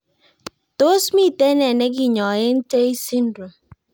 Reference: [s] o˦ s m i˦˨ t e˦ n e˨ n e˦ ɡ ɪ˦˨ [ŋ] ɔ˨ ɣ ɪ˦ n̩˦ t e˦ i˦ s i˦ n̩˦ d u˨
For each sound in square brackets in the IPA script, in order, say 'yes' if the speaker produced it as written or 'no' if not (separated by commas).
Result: no, no